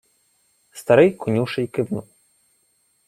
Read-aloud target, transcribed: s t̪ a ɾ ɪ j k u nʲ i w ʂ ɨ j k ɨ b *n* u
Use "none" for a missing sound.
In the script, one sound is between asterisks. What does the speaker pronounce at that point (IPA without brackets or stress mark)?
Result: n